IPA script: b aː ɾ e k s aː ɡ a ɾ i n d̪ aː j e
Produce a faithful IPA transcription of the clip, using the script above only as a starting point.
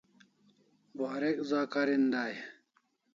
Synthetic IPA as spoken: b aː ɾ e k z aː k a ɾ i n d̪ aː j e